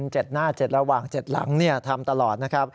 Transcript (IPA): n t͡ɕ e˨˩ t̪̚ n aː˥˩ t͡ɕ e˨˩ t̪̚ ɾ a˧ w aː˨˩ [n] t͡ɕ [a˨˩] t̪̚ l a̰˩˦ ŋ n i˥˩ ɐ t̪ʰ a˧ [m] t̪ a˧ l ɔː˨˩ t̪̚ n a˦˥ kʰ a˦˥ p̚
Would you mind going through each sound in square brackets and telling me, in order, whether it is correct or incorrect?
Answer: incorrect: ŋ, incorrect: e˨˩, correct

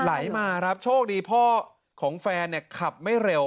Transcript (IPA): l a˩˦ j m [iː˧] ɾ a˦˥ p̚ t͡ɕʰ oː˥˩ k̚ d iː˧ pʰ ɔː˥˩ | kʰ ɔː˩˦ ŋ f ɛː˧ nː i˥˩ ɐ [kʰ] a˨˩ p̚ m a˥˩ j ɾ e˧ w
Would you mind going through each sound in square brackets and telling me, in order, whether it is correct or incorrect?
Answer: incorrect: aː˧, correct

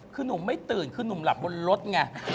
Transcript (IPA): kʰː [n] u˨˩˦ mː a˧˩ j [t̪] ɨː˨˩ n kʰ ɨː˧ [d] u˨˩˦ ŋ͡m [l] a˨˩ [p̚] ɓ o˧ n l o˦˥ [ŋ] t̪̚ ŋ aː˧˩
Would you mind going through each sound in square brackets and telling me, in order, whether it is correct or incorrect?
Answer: correct, correct, incorrect: n, correct, correct, incorrect: none

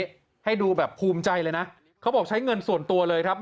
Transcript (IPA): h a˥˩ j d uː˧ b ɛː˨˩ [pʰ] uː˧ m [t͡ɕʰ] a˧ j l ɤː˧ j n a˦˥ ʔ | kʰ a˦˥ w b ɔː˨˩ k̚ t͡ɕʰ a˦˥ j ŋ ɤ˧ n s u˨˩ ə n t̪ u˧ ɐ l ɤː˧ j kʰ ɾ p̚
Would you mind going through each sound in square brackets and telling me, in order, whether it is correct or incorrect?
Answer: correct, incorrect: t͡ɕ

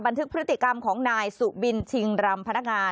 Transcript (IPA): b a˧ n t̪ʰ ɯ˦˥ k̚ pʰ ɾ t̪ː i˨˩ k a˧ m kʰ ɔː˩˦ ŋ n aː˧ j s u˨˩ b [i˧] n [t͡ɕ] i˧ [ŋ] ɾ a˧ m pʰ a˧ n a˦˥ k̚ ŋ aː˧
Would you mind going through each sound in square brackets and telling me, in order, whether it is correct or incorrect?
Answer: correct, incorrect: t͡ɕʰ, correct

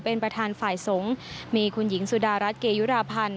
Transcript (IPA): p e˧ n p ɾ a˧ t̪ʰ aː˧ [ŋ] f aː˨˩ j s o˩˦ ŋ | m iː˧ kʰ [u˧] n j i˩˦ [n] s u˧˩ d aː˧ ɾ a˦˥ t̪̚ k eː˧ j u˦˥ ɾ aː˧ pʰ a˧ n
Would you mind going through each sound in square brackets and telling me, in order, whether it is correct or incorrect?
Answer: incorrect: n, correct, incorrect: ŋ

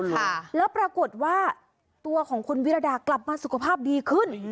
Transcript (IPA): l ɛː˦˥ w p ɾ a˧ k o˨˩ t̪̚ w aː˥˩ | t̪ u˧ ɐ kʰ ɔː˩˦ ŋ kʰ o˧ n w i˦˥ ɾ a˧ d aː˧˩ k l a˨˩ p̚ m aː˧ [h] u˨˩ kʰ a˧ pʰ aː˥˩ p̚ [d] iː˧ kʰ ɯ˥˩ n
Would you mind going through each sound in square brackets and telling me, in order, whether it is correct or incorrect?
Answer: incorrect: s, correct

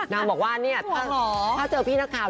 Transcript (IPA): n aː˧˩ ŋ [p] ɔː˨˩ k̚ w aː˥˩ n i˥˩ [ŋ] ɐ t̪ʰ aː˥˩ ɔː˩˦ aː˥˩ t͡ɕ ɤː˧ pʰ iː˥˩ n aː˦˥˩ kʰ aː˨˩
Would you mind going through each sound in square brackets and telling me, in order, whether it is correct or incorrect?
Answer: incorrect: b, incorrect: none

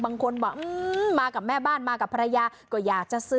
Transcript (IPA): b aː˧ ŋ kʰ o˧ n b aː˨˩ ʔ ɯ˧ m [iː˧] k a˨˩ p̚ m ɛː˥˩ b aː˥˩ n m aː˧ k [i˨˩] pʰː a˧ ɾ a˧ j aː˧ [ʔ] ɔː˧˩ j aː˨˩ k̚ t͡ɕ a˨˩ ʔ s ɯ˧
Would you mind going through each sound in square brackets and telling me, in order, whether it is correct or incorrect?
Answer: incorrect: aː˧, incorrect: a˨˩, incorrect: k

